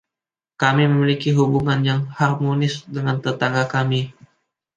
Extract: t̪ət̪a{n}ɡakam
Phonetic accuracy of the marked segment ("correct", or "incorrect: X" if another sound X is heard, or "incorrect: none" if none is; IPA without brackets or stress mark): incorrect: ŋ